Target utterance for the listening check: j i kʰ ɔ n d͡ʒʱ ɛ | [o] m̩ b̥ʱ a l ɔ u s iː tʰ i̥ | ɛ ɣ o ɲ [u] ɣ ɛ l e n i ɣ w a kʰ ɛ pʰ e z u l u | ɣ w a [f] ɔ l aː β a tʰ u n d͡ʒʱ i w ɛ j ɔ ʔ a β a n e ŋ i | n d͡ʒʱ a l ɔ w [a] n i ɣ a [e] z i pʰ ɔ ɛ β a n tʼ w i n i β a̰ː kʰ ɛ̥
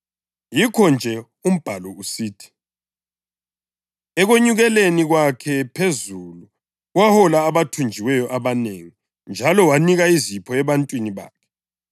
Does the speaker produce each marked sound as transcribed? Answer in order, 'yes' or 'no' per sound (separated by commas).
no, yes, no, yes, no